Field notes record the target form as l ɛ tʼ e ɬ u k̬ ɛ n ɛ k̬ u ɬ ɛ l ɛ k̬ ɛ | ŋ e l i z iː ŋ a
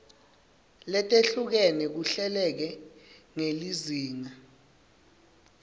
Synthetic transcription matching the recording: l ɛ tʼ e ɬ u k̬ ɛ n ɛ k̬ u ɬ ɛ l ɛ k̬ ɛ | ŋ e l i z iː ŋ a